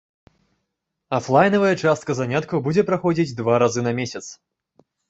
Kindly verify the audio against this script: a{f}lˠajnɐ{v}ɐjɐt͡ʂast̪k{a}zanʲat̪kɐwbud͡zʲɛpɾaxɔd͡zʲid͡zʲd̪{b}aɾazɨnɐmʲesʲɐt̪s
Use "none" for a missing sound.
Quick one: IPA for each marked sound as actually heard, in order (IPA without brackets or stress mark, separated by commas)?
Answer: f, v, ɐ, v